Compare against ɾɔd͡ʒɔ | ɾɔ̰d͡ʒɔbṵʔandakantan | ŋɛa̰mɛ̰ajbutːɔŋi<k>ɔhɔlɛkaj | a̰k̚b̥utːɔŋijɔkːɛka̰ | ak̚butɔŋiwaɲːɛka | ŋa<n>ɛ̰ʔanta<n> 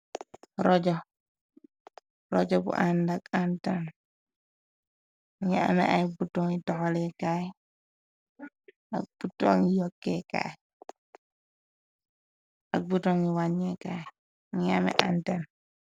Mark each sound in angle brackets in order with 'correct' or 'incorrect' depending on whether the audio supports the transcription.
incorrect, incorrect, correct

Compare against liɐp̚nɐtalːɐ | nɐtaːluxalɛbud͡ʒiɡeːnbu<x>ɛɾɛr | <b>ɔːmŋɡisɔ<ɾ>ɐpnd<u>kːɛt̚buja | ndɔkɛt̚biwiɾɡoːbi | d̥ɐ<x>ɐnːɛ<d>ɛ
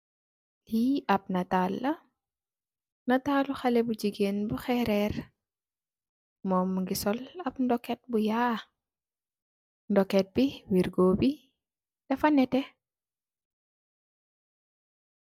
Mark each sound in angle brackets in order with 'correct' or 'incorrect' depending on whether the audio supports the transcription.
correct, incorrect, incorrect, incorrect, incorrect, incorrect

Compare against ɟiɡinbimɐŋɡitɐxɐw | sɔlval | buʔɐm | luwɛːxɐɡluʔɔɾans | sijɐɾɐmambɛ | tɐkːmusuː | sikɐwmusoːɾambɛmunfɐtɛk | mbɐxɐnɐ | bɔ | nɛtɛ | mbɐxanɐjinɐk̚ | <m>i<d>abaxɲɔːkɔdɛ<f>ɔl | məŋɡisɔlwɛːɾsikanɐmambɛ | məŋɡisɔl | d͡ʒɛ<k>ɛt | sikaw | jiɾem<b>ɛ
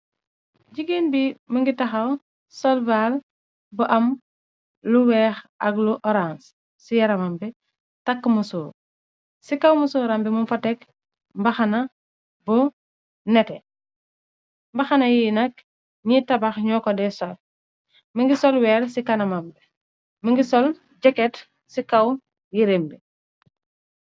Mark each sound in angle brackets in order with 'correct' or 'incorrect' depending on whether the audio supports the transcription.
incorrect, incorrect, incorrect, correct, correct

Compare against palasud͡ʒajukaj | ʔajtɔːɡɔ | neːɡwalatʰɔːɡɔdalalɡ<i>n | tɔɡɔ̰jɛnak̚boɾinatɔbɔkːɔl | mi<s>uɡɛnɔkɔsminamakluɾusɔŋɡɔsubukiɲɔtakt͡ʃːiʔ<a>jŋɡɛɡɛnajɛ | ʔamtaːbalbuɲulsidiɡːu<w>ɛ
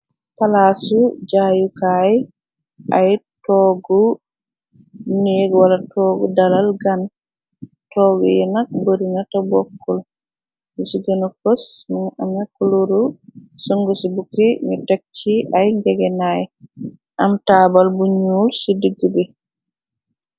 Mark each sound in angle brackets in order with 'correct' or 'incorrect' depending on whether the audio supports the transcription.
incorrect, correct, correct, incorrect

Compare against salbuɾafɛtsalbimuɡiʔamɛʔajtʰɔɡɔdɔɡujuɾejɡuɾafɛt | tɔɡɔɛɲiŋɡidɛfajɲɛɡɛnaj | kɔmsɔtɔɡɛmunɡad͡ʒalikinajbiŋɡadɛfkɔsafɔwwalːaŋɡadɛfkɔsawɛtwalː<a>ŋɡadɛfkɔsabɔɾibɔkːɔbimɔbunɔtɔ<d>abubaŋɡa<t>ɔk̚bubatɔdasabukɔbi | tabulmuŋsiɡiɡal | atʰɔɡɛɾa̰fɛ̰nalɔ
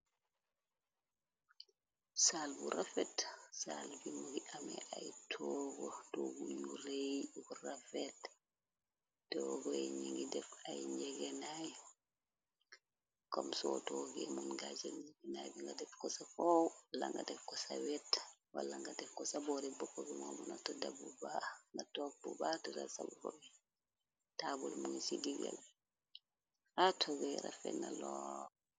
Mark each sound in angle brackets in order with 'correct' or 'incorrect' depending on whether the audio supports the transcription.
correct, correct, correct

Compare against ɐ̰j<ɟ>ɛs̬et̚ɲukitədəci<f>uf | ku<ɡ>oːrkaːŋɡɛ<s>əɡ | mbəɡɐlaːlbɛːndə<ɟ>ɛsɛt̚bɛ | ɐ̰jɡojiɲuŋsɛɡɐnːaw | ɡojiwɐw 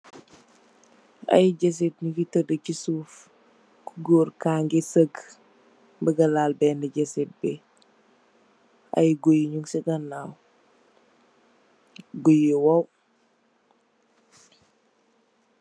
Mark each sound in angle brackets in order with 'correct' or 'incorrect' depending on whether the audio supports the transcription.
correct, incorrect, correct, correct, correct

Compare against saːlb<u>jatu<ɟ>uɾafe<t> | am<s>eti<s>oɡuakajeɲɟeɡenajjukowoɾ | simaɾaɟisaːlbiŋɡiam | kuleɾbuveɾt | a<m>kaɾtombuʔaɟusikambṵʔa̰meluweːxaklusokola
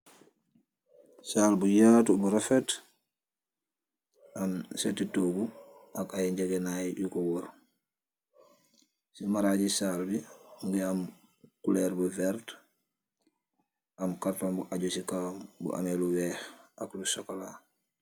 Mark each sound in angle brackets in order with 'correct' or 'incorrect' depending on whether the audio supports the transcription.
correct, incorrect, correct, correct, incorrect, correct

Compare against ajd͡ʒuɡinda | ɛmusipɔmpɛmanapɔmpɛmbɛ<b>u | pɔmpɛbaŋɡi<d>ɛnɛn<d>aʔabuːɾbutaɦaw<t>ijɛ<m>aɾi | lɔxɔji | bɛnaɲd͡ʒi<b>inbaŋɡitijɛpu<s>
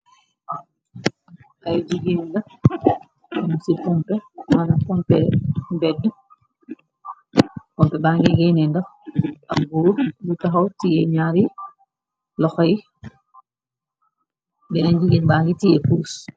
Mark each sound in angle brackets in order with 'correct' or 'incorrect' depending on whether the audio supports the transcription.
incorrect, incorrect, correct, correct, incorrect, incorrect, correct

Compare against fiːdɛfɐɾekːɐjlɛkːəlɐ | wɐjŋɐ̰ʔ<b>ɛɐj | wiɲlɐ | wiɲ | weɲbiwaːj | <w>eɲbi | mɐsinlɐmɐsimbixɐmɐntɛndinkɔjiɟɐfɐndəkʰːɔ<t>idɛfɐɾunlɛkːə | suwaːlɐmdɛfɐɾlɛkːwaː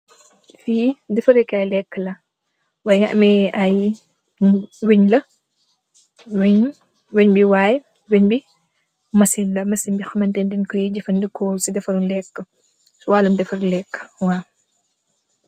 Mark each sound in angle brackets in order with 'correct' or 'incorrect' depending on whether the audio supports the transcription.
incorrect, correct, incorrect

